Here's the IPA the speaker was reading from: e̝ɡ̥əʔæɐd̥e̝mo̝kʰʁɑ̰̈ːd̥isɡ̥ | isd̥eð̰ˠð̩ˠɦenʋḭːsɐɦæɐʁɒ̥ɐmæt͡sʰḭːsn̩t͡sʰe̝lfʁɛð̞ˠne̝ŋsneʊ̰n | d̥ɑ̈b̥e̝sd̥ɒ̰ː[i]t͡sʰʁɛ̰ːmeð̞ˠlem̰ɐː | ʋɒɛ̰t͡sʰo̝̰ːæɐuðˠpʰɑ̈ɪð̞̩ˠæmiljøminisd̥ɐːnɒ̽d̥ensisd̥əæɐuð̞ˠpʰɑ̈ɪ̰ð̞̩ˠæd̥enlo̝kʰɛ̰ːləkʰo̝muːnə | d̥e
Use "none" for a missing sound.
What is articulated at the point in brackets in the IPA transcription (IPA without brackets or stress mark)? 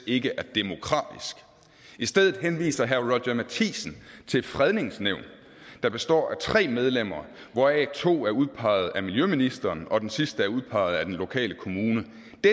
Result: æ